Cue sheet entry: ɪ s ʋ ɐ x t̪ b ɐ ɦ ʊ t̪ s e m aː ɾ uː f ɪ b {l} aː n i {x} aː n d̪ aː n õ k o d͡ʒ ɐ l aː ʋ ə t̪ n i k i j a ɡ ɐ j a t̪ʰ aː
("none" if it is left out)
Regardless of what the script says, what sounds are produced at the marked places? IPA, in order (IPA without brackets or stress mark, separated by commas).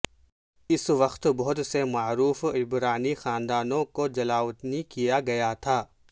ɾ, x